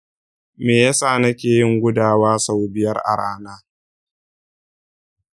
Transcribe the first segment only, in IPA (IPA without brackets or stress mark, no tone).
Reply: m